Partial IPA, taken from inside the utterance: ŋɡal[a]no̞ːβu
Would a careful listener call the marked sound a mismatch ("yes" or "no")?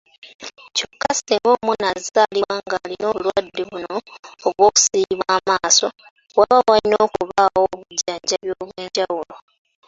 yes